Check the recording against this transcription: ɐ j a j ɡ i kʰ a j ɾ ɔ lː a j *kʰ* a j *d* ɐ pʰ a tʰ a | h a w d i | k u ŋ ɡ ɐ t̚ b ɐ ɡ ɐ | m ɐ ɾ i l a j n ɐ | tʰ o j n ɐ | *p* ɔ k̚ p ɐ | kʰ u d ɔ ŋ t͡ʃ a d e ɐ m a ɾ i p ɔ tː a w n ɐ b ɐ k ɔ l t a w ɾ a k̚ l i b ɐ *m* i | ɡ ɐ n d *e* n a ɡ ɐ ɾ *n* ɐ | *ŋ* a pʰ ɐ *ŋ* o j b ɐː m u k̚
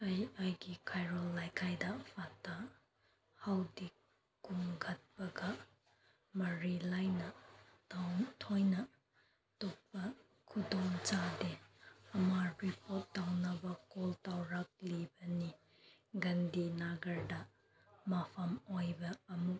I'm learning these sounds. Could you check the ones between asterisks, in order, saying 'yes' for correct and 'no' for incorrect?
yes, yes, no, no, no, no, no, no

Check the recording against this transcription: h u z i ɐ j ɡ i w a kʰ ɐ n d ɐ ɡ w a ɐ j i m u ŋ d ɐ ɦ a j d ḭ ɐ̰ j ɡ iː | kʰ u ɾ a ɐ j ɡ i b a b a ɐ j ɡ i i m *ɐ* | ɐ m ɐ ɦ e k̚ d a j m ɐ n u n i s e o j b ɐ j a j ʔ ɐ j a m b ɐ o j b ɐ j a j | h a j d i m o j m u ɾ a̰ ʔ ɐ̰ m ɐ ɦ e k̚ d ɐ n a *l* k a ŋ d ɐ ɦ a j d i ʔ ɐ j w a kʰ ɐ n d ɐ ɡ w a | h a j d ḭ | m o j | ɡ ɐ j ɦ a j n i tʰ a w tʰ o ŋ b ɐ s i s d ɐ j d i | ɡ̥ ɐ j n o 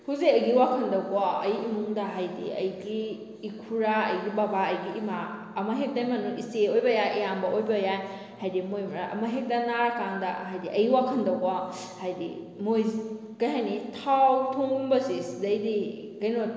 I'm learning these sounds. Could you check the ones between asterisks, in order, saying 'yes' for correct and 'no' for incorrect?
no, no

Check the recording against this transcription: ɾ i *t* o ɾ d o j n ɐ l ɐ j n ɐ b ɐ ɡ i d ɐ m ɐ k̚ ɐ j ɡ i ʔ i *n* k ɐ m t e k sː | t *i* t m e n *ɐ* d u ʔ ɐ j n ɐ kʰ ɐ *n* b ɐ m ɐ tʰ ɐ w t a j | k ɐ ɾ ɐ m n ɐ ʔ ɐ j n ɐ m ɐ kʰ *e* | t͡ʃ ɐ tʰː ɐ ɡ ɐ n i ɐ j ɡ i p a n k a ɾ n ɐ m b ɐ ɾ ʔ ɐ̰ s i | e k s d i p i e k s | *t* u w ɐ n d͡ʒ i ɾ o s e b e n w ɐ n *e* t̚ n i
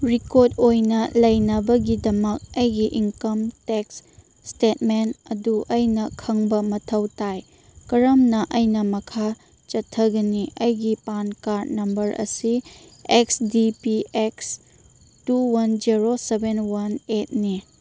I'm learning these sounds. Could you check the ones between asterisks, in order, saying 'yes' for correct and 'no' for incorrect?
no, no, no, yes, no, no, yes, yes

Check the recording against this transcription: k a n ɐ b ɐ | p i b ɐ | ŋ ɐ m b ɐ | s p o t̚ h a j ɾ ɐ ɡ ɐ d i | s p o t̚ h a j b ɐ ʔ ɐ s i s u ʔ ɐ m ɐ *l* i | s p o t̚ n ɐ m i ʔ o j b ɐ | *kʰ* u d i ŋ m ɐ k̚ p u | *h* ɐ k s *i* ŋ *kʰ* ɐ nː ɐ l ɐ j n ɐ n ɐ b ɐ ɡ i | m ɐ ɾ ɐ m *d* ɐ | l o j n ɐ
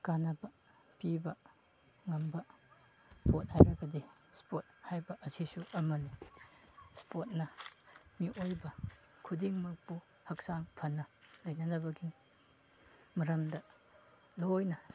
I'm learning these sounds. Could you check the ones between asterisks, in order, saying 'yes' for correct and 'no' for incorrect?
yes, yes, yes, no, no, yes

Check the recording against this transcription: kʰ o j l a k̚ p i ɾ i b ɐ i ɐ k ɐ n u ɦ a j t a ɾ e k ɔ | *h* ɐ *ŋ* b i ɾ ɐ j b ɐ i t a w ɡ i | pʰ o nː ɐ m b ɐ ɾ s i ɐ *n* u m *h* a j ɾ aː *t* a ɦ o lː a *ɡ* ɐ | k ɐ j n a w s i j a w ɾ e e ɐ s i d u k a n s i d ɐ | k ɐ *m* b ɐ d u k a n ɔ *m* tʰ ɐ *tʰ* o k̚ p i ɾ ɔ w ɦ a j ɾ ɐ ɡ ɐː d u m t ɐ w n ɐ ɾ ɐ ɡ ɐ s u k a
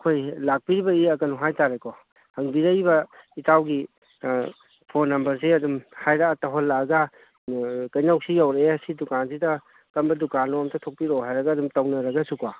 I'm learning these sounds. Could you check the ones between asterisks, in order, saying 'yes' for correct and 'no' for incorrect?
yes, yes, no, yes, yes, yes, yes, yes, yes

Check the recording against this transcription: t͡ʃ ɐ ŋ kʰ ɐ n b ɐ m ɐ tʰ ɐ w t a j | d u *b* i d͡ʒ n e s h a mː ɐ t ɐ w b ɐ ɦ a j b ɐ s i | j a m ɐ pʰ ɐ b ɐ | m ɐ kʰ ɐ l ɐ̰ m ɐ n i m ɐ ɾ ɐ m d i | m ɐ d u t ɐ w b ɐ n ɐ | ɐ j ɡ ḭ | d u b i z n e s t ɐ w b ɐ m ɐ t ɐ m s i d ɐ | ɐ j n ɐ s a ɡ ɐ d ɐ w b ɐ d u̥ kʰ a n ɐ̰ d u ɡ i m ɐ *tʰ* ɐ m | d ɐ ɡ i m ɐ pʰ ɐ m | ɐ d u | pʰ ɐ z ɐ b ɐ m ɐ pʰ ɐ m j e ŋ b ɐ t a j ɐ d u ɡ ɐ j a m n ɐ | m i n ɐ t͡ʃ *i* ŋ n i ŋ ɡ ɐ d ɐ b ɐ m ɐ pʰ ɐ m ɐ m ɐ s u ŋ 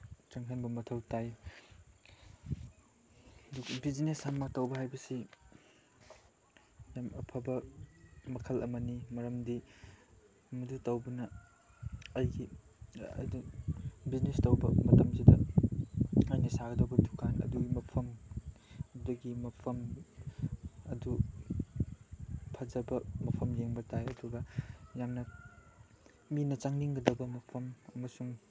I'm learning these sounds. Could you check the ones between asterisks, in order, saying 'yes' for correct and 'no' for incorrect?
yes, no, no

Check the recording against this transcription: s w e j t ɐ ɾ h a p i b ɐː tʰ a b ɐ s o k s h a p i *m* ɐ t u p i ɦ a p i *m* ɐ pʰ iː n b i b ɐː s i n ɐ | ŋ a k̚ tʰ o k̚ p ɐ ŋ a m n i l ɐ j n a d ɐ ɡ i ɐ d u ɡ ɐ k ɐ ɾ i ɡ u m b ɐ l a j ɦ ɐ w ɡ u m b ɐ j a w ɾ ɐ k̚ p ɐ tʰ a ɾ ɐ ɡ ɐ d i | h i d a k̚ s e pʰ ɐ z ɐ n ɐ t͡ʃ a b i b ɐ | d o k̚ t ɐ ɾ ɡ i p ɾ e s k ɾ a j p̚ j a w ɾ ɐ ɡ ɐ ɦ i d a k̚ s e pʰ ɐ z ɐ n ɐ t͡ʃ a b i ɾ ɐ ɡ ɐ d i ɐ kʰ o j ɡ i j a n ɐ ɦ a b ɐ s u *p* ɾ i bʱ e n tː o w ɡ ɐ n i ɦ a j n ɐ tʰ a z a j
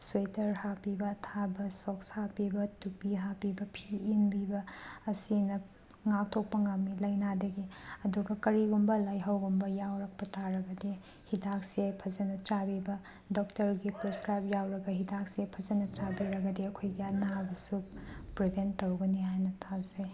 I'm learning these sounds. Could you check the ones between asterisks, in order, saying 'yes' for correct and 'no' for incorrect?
no, no, yes

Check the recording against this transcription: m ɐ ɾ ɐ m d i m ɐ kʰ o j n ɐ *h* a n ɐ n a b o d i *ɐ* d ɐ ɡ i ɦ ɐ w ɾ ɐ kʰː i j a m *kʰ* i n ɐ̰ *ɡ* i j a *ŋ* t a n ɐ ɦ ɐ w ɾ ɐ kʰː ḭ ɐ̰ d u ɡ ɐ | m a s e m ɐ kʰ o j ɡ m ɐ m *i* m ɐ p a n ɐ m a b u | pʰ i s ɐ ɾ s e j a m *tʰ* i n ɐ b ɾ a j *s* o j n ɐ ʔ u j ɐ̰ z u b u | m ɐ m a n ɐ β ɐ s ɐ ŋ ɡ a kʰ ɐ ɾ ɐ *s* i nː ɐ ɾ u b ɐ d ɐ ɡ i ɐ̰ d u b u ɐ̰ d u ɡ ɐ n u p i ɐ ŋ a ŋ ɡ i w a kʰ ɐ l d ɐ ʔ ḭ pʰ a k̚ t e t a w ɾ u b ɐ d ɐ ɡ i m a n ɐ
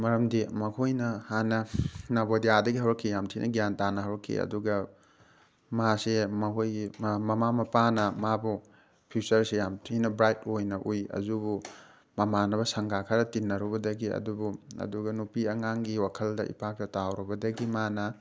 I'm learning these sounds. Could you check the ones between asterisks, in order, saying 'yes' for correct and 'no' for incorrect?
yes, no, no, yes, no, no, yes, no, no

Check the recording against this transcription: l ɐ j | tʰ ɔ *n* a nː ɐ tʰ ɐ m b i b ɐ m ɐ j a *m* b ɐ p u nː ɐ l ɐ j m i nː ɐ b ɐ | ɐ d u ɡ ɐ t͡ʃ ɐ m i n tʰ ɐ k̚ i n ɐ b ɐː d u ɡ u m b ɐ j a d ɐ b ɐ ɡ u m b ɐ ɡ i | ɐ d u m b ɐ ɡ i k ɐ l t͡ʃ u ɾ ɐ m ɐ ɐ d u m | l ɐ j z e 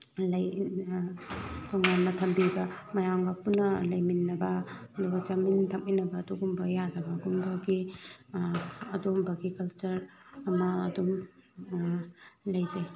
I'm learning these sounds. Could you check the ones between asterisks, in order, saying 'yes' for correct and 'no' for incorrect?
no, no

